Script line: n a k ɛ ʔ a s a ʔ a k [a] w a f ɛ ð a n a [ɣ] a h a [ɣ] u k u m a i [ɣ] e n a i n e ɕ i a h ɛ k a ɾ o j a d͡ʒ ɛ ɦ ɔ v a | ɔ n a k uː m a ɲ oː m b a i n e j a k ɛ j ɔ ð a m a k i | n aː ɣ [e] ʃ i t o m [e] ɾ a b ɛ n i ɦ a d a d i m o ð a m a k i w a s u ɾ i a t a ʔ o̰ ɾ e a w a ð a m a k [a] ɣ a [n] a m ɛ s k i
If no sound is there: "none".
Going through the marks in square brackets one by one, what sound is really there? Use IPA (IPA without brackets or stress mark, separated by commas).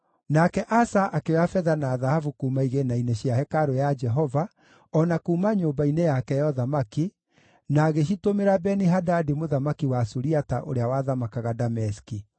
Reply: e, ð, v, ɣ, e, e, a, d